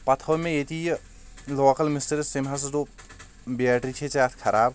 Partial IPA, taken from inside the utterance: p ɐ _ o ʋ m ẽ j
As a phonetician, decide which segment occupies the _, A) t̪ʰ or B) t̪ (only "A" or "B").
A